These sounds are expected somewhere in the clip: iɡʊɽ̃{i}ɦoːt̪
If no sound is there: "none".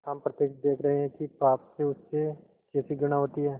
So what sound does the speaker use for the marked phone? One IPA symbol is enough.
a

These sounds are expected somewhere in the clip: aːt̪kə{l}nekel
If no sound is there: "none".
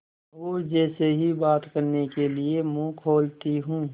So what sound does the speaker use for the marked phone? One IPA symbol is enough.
ɾ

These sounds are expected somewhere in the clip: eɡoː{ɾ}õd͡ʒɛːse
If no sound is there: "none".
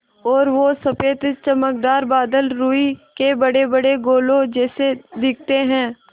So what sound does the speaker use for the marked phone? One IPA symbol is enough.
l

